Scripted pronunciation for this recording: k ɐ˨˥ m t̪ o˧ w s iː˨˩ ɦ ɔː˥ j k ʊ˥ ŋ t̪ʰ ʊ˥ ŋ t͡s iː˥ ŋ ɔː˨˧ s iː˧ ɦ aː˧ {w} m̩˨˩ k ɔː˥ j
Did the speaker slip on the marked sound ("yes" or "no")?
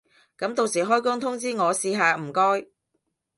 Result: yes